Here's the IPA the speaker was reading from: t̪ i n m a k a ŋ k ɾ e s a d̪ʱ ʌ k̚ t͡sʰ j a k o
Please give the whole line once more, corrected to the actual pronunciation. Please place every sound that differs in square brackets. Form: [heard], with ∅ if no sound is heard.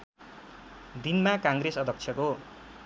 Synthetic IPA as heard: [d̪] i n m a k a ŋ [ɡ] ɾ e s [ʌ] d̪ʱ ʌ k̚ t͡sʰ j [ʌ] k o